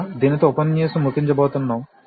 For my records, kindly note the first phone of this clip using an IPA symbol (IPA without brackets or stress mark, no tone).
d̪